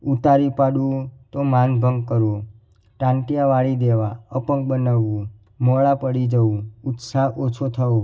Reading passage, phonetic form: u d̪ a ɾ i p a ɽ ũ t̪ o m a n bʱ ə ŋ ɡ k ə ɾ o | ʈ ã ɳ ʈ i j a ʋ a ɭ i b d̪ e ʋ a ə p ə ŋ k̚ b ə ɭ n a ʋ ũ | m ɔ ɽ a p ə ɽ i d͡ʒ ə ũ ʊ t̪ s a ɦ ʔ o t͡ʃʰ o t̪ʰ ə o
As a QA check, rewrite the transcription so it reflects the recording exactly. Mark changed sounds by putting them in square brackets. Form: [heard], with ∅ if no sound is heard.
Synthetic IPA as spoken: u [t̪] a ɾ i p a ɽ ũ t̪ o m a n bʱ ə ŋ ɡ k ə ɾ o | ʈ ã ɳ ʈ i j a ʋ a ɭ i [∅] d̪ e ʋ a ə p ə ŋ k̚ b ə [∅] n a ʋ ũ | m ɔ [ɭ] a p ə ɽ i d͡ʒ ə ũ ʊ t̪ s a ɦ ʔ o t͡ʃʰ o t̪ʰ ə o